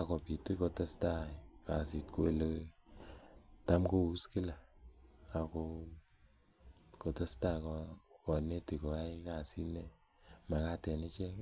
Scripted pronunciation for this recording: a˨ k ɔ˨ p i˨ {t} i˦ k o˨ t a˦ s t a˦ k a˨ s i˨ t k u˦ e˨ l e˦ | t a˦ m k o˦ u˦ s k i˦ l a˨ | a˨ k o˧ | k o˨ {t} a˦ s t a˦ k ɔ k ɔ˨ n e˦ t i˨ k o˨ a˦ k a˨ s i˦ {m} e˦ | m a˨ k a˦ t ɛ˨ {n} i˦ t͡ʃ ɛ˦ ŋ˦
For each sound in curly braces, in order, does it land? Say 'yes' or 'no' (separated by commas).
yes, yes, no, yes